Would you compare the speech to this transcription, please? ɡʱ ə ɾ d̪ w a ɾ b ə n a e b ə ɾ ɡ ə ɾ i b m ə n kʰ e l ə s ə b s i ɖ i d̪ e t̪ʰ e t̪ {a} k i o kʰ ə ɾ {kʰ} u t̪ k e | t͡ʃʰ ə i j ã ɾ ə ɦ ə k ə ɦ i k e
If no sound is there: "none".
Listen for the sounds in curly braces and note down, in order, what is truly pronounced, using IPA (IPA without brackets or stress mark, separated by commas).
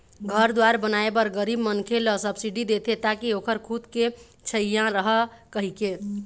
a, kʰ